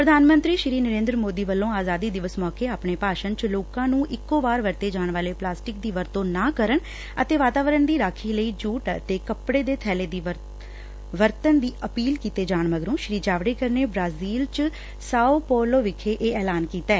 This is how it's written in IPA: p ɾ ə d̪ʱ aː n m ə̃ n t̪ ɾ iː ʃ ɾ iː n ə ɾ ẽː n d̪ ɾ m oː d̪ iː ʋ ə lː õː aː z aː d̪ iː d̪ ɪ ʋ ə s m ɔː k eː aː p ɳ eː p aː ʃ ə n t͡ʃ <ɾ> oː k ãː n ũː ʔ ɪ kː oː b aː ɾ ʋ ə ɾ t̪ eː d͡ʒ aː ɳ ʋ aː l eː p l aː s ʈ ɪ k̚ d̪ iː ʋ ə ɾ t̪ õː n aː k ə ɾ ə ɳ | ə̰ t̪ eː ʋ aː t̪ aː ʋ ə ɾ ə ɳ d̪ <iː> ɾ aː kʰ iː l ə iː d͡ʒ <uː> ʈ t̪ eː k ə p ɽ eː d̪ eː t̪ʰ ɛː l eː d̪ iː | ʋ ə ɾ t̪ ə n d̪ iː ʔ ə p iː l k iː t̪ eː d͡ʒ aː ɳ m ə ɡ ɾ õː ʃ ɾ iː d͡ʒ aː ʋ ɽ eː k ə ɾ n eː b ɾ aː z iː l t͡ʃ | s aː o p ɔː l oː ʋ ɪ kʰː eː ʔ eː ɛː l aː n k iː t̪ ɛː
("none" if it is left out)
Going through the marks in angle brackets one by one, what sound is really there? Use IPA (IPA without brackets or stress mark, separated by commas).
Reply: l, iː, uː